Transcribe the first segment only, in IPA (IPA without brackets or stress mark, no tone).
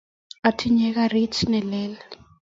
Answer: a